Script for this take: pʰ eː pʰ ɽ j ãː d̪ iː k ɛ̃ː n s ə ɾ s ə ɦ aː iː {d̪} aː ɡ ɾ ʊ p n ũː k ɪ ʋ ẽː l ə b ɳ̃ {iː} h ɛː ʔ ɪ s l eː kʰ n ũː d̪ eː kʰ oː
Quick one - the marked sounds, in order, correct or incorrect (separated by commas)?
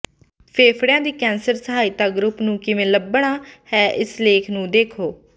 incorrect, incorrect